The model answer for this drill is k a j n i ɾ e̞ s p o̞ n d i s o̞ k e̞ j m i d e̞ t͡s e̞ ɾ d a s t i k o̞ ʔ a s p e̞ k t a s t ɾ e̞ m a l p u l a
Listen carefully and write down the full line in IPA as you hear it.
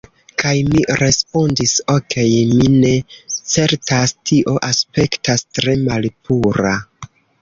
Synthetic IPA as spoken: k a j m i ɾ e̞ s p o̞ n d i s o̞ k e̞ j m i n e̞ t͡s e̞ ɾ t a s t i ʔ o̞ ʔ a s p e̞ k t a s t ɾ e̞ m a l p u ɾ a